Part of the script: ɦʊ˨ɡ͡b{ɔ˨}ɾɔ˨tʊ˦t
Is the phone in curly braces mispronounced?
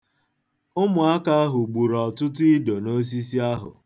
yes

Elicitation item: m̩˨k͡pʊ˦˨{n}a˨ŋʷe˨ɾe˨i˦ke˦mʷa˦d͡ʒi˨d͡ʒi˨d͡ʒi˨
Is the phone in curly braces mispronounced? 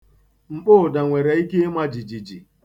yes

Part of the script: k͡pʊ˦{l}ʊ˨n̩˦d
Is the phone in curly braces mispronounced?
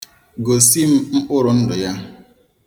yes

